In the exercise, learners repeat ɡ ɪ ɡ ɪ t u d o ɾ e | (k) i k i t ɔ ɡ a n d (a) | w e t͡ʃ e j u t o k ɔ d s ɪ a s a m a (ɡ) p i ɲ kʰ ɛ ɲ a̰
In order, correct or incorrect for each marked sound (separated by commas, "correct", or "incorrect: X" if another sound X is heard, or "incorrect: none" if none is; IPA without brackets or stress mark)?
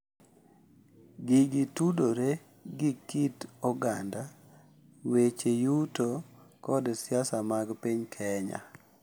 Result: incorrect: ɡ, correct, correct